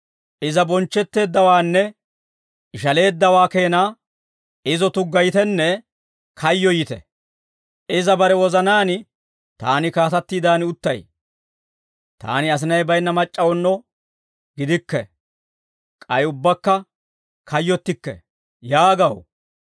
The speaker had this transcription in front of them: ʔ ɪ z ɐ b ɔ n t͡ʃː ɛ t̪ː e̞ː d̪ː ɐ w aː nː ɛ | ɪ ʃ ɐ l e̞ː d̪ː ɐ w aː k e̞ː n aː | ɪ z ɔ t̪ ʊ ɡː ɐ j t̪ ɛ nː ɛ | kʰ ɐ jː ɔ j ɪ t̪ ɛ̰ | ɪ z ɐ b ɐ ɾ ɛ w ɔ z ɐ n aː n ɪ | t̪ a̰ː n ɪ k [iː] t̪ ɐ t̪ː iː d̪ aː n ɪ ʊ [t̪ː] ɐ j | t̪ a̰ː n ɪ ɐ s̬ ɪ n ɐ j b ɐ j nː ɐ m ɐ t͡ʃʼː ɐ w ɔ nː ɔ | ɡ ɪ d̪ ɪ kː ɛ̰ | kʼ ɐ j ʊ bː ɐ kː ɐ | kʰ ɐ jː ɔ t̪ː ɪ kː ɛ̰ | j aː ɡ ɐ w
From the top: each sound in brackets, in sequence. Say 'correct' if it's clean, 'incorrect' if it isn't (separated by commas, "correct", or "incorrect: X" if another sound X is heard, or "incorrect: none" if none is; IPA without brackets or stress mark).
incorrect: aː, correct